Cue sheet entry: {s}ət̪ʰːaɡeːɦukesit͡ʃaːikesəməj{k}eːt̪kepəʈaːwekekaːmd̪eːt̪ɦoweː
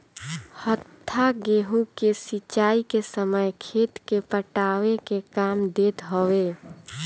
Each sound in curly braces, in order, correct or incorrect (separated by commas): incorrect, incorrect